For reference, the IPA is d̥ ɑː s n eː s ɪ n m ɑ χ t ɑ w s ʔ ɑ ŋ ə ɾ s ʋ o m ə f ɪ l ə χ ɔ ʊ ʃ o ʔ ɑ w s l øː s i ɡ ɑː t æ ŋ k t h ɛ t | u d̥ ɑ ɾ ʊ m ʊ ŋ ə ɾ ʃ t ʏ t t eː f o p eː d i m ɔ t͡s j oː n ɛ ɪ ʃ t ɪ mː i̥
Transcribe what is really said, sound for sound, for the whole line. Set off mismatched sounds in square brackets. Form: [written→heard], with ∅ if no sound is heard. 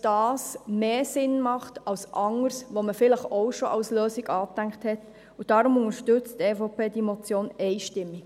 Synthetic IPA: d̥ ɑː s [n→m] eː s ɪ n m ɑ χ t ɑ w s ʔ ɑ ŋ ə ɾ s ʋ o m ə f ɪ l ə χ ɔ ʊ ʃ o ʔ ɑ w s l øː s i ɡ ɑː t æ ŋ k t h ɛ t | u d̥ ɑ ɾ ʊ m ʊ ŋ ə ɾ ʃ t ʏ [t→t͡s] t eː f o p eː d i m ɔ t͡s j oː n ɛ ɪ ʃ t ɪ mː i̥